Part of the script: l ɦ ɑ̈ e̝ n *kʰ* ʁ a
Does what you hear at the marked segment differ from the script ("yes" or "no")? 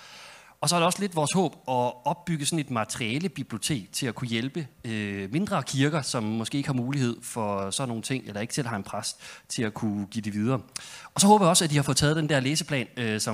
yes